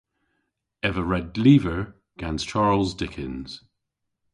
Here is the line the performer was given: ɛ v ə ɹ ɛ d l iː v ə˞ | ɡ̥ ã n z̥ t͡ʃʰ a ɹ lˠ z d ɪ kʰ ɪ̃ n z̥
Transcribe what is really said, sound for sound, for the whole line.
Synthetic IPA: ɛ v ə ɹ ɛ d l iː v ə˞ | ɡ̥ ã n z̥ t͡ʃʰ a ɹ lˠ z d ɪ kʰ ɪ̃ n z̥